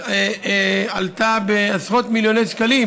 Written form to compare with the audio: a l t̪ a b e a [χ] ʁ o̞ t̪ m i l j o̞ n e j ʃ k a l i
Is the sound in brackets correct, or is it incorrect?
incorrect